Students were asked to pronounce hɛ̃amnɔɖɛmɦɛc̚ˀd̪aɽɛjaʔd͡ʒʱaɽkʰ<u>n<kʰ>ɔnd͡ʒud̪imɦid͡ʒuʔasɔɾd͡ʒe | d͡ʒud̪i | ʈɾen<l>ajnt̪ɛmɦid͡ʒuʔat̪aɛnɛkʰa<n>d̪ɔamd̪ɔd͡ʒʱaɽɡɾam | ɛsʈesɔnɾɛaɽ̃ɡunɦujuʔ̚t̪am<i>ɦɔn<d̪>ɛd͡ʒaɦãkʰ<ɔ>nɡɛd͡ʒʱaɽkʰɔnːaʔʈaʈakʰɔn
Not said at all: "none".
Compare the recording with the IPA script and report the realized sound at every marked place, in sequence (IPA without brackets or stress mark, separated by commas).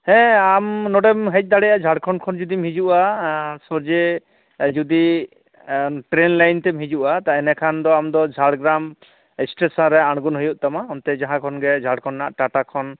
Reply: ɔ, kʰ, l, n, a, t̪, ɔ